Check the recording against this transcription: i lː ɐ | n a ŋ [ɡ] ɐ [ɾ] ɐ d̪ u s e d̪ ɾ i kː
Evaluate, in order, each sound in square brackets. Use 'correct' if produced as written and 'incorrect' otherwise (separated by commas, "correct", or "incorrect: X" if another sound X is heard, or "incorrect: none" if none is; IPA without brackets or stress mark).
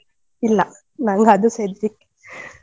correct, incorrect: none